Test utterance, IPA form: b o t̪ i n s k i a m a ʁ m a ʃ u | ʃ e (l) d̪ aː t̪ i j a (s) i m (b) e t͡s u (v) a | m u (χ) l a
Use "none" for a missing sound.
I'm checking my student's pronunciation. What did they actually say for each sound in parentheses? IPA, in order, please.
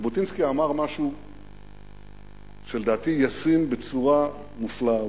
l, s, b, ʁ, f

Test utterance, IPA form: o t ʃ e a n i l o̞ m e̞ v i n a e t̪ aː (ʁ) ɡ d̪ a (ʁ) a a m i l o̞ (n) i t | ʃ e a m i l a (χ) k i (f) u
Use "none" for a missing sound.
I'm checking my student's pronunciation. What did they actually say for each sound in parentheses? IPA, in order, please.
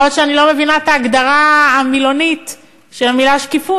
none, ʁ, n, ʃ, f

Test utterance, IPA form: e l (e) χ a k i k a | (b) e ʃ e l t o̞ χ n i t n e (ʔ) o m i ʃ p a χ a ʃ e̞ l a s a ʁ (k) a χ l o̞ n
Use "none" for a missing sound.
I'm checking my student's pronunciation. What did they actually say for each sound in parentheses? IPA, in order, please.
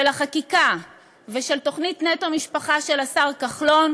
a, v, t, k

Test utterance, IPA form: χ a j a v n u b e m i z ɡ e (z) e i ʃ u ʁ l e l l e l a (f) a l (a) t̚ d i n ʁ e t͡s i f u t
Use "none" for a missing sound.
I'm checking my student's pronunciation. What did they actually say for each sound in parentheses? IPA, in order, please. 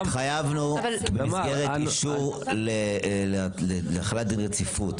ʁ, χ, a

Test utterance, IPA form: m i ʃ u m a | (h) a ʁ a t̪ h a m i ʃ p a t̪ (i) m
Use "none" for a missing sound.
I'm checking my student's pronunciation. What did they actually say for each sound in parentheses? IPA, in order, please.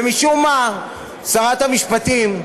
s, i

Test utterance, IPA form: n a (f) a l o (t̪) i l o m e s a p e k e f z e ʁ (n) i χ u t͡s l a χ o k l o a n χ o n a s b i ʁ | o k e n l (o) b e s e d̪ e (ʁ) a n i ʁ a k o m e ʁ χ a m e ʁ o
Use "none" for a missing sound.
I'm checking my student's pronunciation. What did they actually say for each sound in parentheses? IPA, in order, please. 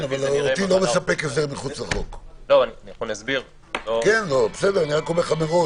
v, t̪, m, o, ʁ

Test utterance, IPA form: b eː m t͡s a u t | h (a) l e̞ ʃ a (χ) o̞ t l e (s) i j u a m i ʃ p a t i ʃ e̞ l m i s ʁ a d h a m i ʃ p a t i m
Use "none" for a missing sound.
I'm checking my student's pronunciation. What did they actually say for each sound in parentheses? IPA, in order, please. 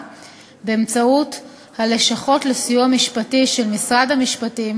a, χ, s

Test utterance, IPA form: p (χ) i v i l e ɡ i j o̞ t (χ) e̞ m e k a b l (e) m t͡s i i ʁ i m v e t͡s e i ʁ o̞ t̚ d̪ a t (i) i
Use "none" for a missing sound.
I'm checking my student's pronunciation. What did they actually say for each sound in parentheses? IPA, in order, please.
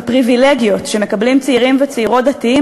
ʁ, ʃ, i, i

